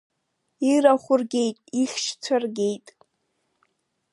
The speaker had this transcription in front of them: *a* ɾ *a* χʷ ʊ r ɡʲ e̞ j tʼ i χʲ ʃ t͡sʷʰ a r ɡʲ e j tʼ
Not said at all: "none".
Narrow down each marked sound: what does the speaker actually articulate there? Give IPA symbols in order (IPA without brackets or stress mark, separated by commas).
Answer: i, a